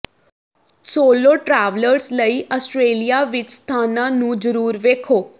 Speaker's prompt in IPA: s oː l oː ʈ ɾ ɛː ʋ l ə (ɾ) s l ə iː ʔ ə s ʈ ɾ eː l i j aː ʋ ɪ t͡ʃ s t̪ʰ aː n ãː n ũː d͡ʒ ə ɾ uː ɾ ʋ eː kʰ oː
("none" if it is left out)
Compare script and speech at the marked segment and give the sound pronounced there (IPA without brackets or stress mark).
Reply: ɾ